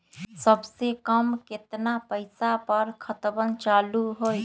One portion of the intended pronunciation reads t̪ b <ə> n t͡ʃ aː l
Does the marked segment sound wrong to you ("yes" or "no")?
no